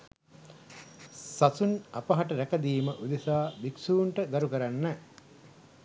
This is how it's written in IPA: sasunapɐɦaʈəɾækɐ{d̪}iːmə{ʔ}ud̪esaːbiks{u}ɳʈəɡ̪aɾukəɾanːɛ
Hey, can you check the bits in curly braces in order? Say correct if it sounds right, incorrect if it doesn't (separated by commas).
correct, correct, incorrect